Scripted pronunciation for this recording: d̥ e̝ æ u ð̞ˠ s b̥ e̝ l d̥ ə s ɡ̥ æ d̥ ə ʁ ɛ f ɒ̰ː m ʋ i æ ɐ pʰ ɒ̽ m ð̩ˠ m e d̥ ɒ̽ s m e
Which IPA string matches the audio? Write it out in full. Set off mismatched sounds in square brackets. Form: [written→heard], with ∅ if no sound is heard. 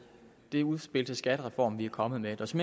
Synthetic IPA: d̥ e̝ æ u ð̞ˠ s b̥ e̝ l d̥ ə s ɡ̥ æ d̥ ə ʁ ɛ f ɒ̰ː m ʋ i æ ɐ [pʰ→kʰ] ɒ̽ m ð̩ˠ m e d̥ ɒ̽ s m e